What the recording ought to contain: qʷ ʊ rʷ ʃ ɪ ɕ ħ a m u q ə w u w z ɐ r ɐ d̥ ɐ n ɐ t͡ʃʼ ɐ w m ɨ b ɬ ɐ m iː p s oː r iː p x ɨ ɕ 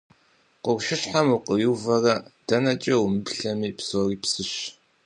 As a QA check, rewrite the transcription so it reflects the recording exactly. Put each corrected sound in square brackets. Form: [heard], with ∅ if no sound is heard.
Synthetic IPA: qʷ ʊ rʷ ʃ ɪ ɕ ħ a m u q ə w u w [v] ɐ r ɐ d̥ ɐ n ɐ t͡ʃʼ ɐ w m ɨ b ɬ ɐ m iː p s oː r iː p [s] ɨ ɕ